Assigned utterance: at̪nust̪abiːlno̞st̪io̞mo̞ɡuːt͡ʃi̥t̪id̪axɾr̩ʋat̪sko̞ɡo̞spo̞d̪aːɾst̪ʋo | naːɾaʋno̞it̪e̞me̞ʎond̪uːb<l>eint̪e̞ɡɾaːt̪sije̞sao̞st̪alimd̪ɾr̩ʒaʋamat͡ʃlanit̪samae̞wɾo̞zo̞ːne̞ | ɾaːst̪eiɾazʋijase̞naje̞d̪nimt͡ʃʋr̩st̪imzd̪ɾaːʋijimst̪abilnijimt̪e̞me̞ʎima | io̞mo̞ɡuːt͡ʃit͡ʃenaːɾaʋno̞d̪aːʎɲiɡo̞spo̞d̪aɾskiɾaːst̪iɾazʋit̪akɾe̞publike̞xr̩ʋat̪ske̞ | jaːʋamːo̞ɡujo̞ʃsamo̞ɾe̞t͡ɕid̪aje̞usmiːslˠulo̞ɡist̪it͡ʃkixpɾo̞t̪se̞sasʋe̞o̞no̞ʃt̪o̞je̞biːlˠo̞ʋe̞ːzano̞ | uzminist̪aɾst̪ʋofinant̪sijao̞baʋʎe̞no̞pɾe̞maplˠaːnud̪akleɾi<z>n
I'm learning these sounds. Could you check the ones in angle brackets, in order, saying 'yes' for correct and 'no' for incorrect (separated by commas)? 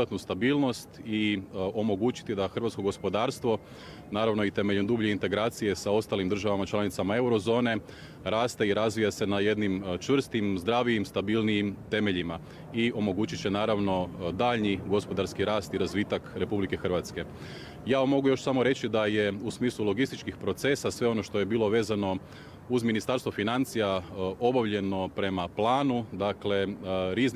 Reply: no, yes